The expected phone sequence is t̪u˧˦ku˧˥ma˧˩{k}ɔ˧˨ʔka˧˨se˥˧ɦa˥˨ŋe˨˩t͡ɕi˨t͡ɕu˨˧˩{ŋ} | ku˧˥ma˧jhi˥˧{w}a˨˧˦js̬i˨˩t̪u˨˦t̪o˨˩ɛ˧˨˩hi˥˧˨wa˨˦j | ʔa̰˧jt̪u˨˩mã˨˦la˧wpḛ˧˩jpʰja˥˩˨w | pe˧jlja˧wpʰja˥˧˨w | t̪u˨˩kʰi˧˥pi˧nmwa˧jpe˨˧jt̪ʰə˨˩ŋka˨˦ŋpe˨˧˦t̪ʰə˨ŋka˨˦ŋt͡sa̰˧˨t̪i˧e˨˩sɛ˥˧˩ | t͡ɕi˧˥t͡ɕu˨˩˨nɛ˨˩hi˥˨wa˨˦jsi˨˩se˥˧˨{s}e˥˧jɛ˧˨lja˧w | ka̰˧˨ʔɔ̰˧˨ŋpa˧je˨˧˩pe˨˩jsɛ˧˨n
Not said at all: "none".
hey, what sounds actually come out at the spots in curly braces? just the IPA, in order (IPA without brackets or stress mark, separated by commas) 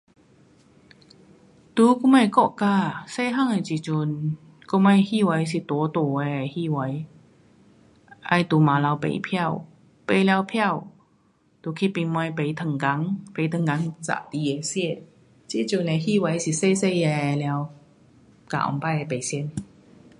k, n, w, s